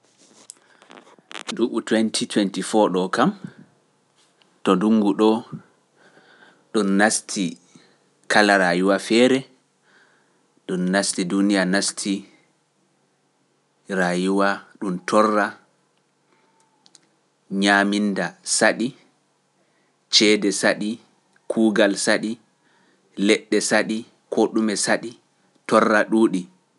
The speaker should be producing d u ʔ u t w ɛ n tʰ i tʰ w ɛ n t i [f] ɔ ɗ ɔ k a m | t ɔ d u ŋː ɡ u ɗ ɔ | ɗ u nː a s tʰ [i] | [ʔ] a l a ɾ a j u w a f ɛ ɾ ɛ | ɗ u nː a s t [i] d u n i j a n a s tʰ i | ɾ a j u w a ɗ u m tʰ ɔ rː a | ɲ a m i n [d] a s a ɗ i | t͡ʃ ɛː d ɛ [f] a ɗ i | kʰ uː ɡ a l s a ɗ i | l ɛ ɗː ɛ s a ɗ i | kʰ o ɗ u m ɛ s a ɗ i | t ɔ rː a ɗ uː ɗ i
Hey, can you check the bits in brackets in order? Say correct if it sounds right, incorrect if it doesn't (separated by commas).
correct, correct, incorrect, correct, correct, incorrect